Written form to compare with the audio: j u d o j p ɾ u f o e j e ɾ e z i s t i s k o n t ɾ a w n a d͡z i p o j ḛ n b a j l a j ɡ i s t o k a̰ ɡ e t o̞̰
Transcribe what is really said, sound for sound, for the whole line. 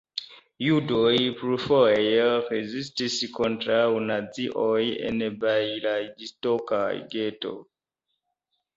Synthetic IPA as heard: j u d o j p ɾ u f o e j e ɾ e z i s t i s k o n t ɾ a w n a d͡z i ʔ o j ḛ n b a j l a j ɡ i s t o k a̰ ɡ e t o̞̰